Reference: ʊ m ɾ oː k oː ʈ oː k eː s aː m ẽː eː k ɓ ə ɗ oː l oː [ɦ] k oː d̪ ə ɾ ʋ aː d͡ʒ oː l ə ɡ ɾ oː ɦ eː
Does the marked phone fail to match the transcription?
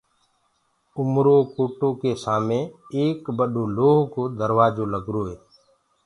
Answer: no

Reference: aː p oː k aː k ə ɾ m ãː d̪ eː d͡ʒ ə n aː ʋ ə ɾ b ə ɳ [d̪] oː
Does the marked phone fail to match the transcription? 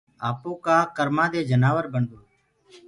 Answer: no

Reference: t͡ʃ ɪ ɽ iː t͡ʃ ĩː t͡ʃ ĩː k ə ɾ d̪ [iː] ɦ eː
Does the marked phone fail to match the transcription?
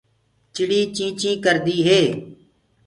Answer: no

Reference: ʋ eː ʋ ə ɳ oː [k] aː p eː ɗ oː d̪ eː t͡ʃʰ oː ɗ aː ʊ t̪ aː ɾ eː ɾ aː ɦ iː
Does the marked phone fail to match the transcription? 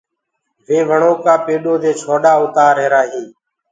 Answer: no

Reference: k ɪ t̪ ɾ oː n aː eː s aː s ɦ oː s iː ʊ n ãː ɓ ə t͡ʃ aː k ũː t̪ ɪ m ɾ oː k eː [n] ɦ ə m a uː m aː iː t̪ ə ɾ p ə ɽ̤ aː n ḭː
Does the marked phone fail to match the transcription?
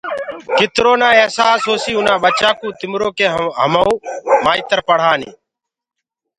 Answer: yes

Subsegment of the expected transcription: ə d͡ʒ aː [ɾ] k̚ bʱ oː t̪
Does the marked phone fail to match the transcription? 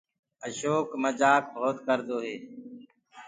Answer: yes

